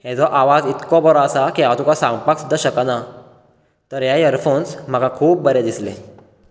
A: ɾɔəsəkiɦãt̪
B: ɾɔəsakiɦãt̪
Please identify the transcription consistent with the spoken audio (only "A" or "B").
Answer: B